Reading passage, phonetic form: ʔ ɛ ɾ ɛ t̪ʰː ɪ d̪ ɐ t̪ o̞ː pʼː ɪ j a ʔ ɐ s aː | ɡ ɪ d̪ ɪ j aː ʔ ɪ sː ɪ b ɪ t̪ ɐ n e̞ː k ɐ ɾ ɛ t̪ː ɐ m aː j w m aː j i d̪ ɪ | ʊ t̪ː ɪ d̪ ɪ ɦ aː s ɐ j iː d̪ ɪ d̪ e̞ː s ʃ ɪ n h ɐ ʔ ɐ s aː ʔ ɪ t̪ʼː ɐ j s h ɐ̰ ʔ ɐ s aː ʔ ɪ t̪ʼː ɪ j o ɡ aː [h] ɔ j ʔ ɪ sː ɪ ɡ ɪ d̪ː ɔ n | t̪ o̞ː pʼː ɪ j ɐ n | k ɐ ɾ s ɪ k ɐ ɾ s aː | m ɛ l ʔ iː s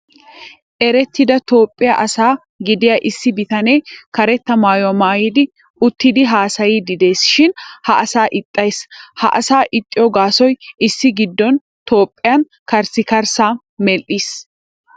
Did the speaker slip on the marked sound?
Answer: yes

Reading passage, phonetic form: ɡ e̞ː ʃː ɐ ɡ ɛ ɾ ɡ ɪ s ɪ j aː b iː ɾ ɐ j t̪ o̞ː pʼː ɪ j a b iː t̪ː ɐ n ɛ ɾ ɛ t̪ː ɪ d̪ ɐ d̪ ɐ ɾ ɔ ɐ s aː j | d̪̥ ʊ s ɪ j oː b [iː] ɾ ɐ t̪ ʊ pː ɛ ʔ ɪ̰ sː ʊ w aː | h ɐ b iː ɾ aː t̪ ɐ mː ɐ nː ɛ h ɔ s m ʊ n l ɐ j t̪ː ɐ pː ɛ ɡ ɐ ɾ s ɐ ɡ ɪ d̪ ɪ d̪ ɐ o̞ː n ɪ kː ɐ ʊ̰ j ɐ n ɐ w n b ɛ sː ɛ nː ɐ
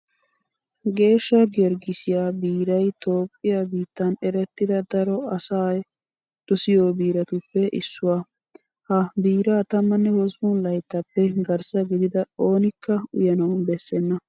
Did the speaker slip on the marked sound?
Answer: no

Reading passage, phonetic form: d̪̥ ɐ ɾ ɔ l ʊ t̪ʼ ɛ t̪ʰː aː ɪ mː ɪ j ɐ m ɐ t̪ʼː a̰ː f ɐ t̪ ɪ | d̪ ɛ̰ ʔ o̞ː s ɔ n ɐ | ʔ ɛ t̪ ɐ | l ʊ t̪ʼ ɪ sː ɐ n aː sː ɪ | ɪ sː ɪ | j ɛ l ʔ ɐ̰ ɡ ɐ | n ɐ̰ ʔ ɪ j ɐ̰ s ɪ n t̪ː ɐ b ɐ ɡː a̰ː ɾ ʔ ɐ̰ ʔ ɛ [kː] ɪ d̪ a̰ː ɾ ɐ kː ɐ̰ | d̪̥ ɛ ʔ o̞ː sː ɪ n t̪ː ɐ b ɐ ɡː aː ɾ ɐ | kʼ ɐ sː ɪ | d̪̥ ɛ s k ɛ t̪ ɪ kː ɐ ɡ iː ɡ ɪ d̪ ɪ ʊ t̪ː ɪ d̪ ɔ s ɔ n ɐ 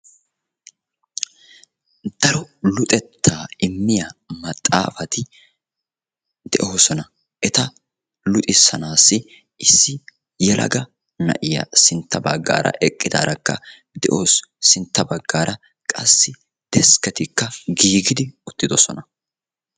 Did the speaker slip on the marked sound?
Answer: yes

